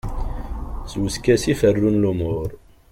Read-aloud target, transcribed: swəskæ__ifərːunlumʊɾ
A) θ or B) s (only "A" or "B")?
B